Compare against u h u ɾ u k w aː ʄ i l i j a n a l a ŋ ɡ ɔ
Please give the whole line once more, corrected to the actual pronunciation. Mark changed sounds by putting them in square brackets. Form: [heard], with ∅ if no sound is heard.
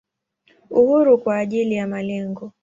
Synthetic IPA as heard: u h u ɾ u k w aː ʄ i l i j a [m] a l [ɛ] ŋ ɡ ɔ